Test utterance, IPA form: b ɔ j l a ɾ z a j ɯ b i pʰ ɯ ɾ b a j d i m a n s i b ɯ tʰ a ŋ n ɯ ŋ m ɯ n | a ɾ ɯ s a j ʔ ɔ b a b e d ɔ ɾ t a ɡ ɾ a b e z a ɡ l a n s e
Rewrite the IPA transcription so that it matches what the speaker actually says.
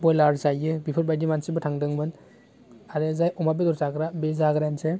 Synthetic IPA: b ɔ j l a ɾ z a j ɯ b i pʰ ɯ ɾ b a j d i m a n s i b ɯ tʰ a ŋ d ɯ ŋ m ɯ n | a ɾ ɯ z a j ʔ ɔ m a b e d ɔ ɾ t a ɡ ɾ a b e z a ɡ ɾ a n s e